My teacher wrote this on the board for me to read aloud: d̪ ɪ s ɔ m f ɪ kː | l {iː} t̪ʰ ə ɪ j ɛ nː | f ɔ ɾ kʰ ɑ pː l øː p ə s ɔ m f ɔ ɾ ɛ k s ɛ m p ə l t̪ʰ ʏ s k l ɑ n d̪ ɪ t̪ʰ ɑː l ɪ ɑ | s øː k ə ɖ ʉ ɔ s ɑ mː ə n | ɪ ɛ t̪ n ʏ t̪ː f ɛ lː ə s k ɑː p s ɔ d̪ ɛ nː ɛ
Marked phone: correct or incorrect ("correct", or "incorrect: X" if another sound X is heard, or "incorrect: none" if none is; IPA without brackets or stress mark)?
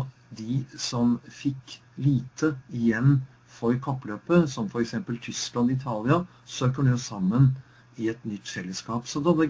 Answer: correct